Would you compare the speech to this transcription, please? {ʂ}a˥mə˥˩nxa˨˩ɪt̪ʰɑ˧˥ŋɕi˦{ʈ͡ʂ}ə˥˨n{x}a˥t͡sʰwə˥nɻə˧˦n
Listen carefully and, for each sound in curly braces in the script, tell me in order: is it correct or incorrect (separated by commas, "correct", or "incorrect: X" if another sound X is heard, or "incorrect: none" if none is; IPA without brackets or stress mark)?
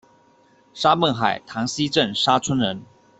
correct, correct, incorrect: ʂ